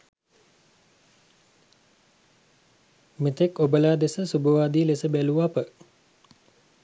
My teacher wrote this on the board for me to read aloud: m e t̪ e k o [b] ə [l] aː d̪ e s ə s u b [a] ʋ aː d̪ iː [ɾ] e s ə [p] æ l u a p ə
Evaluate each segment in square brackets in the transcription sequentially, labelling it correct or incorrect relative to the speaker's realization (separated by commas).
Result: correct, correct, incorrect, incorrect, incorrect